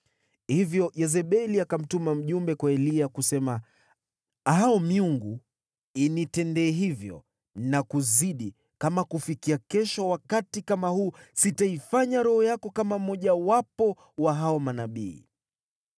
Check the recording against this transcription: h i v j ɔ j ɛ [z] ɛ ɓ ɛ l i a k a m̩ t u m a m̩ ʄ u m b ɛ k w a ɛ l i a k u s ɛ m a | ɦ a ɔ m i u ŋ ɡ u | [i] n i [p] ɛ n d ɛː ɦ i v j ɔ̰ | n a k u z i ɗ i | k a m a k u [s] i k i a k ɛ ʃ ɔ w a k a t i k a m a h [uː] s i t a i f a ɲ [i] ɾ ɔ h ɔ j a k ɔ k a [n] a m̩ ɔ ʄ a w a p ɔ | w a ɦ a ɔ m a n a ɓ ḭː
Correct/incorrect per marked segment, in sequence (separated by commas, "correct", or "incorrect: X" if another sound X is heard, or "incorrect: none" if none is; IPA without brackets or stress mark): correct, correct, incorrect: t, incorrect: f, correct, incorrect: a, incorrect: m